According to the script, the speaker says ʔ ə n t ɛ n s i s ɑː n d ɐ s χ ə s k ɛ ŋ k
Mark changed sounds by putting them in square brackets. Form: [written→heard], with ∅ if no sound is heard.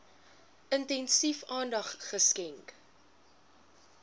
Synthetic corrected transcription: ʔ ə n t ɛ n s i [s→f] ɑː n d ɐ [s→χ] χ ə s k ɛ ŋ k